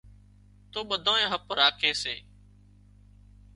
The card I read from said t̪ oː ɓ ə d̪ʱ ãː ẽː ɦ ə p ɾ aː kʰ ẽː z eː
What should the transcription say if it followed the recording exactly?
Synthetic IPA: t̪ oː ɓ ə d̪ʱ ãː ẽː ɦ ə p ɾ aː kʰ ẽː s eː